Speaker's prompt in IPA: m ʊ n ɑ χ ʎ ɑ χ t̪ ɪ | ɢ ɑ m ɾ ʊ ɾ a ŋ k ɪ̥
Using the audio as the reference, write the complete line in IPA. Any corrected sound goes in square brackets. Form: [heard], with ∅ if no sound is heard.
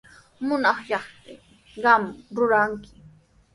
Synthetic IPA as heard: m ʊ n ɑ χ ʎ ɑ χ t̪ ɪ | ɢ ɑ m ɾ ʊ ɾ a ŋ k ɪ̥